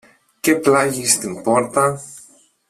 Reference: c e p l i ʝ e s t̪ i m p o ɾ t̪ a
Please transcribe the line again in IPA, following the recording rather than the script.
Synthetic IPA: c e p l a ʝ i s t̪ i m p o ɾ t̪ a